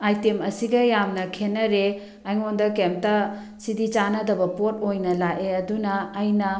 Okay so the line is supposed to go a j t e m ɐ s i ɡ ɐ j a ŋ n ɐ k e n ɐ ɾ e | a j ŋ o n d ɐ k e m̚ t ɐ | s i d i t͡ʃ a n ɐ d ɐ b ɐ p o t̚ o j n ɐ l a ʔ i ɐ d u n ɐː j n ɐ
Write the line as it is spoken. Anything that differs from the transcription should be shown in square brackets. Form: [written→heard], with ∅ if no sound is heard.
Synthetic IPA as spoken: a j t e m ɐ s i ɡ ɐ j a [ŋ→m] n ɐ [k→kʰ] e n ɐ ɾ e | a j ŋ o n d ɐ k e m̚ t ɐ | s i d i t͡ʃ a n ɐ d ɐ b ɐ p o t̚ o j n ɐ l a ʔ [i→e] ɐ d u n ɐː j n ɐ